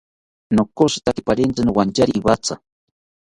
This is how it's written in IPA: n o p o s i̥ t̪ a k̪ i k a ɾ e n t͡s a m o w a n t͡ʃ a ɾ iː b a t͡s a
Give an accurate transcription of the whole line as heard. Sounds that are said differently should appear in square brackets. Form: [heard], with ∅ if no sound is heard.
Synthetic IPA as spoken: n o [k] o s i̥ t̪ a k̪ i [p] a ɾ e n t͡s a [n] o w a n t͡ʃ a ɾ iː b a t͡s a